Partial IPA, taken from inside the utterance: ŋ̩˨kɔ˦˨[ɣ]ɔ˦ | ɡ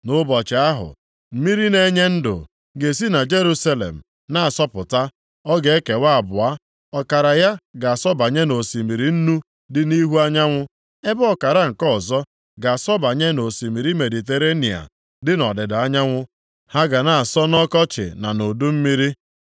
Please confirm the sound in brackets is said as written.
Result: no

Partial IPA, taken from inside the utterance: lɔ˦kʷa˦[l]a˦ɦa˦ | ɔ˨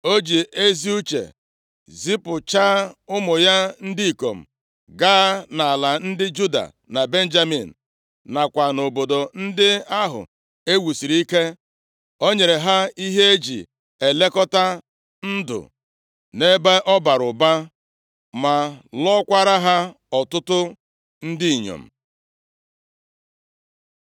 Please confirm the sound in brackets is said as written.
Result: no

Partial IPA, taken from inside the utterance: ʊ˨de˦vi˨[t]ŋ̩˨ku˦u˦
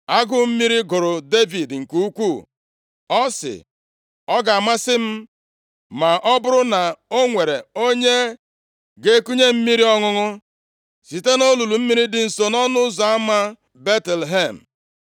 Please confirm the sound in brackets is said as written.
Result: no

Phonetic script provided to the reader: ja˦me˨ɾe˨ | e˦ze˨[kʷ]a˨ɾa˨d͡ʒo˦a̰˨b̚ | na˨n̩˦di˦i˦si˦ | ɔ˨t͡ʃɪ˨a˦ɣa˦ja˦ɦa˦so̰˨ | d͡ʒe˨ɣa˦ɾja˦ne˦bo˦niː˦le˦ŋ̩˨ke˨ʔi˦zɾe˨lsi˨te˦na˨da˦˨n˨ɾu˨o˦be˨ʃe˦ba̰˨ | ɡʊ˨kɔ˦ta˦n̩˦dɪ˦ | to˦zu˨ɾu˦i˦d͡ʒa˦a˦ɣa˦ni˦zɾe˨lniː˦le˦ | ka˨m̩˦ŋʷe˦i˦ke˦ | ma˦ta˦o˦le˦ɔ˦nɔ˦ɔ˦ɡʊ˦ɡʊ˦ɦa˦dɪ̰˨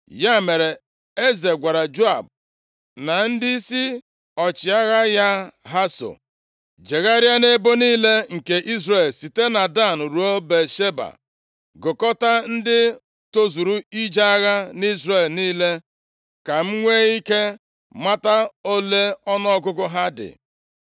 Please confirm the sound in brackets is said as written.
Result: no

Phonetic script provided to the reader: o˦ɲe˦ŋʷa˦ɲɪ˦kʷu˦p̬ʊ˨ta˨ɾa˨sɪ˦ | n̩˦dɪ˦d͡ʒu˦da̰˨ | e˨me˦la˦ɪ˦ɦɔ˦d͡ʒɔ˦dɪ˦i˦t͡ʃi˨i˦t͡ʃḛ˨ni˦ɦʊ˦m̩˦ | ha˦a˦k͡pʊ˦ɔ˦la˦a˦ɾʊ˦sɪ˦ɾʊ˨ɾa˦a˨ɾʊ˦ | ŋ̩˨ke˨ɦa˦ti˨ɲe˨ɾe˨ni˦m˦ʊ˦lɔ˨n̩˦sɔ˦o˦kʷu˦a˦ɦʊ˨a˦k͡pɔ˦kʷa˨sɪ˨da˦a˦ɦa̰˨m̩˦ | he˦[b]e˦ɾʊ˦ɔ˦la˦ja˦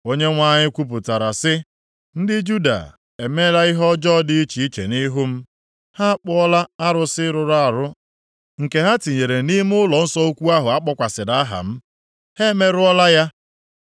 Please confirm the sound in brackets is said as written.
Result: no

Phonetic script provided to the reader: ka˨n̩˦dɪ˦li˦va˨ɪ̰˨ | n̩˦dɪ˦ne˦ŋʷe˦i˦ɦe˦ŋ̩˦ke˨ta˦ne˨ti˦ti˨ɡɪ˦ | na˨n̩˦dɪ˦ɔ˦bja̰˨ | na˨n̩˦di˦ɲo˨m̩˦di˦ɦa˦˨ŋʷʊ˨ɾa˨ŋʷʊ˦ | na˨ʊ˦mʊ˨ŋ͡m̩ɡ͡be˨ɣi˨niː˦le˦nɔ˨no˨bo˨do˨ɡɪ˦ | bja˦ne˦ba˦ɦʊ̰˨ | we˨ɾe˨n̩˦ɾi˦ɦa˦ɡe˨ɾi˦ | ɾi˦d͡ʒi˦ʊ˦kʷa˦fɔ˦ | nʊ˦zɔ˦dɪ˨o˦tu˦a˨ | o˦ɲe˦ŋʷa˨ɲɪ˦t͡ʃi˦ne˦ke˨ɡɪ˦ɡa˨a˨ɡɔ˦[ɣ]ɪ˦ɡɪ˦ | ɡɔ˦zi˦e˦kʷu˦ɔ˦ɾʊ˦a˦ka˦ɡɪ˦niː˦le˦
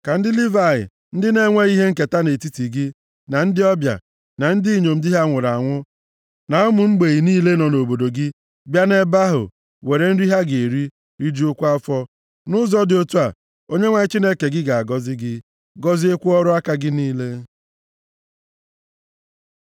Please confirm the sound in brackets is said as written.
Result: no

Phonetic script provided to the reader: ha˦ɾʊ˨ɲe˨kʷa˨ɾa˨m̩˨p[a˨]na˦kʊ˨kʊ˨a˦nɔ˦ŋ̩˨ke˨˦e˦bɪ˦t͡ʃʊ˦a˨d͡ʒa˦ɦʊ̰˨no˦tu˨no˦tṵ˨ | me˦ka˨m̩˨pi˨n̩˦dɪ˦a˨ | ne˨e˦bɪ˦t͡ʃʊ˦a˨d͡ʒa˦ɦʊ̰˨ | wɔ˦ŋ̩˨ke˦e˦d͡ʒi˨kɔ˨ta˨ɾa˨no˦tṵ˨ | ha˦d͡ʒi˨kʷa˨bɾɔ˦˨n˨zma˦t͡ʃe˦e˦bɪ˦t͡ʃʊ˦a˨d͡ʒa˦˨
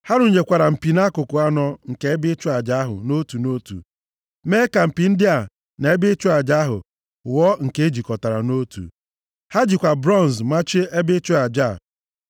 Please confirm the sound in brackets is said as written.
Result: no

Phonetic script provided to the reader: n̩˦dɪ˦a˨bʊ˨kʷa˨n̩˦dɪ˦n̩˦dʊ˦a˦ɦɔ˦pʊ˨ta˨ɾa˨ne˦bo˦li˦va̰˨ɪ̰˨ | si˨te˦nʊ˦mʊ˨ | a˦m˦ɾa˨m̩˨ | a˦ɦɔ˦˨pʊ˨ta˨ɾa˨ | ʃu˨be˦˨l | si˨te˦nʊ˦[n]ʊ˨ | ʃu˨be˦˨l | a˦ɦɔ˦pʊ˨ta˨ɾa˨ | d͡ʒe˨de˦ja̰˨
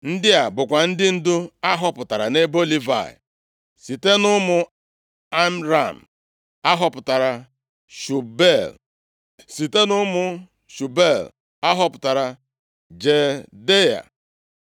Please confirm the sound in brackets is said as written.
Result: no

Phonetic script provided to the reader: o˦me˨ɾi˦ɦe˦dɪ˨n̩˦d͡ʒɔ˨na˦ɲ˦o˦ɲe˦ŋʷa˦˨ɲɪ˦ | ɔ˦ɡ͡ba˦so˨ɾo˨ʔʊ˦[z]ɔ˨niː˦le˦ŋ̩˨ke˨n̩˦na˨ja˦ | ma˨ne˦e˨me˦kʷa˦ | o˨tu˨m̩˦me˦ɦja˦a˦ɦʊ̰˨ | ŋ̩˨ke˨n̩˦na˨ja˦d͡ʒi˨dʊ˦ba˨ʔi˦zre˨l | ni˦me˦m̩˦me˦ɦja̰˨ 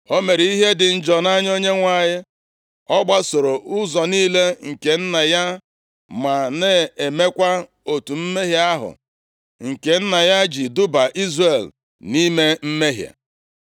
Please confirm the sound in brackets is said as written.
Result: yes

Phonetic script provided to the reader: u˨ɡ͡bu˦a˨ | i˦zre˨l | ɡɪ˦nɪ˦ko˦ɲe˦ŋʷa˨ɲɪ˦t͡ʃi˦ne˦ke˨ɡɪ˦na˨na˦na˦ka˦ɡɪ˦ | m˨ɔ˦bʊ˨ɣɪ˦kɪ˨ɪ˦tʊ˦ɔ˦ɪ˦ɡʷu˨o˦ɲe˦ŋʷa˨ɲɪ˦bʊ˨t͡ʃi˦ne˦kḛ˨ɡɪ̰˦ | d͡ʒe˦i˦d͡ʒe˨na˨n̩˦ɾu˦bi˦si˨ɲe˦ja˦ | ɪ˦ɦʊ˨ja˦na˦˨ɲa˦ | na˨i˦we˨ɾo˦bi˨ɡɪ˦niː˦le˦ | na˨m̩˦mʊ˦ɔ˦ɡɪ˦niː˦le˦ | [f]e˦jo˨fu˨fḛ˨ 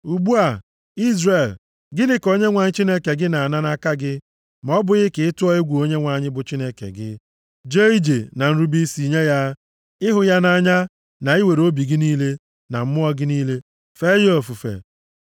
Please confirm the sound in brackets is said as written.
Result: yes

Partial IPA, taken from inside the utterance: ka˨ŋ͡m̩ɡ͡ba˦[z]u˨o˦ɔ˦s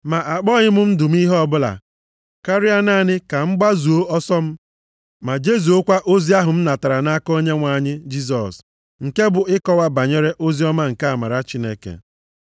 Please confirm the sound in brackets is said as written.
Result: yes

